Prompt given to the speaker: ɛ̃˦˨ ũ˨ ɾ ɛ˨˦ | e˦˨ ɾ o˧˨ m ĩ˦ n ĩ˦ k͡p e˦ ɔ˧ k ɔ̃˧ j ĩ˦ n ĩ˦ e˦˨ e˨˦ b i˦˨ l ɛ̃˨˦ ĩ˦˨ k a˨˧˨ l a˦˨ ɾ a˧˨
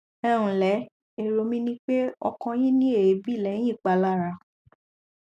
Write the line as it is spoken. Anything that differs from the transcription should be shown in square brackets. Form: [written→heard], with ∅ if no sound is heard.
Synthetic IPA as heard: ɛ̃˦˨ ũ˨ [ɾ→l] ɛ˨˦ | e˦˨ ɾ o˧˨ m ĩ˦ n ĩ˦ k͡p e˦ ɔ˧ k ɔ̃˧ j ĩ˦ n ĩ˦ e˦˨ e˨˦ b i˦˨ l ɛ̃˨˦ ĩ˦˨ [k→k͡p] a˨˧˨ l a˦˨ ɾ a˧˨